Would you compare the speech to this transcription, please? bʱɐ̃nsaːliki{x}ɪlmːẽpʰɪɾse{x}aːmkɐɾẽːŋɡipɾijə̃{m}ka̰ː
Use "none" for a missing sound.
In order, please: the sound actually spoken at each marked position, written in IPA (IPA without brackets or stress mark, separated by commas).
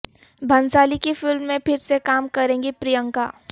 f, k, ŋ